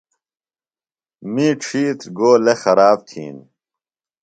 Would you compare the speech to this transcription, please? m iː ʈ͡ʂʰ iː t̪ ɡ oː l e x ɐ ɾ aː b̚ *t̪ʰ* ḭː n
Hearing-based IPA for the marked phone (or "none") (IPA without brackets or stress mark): t̪ʰ